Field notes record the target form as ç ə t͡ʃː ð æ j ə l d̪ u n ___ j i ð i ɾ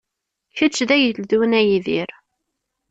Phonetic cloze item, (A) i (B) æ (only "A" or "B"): B